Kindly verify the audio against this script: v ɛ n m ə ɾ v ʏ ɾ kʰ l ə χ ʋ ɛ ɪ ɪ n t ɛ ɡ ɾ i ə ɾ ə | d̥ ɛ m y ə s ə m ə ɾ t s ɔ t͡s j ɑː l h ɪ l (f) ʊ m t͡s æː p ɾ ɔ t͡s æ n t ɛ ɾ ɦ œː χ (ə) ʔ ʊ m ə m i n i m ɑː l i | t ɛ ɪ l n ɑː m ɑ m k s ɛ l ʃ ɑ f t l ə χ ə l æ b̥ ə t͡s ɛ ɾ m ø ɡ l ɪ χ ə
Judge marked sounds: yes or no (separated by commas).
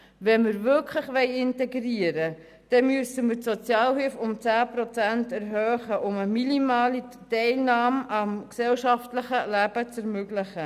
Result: yes, yes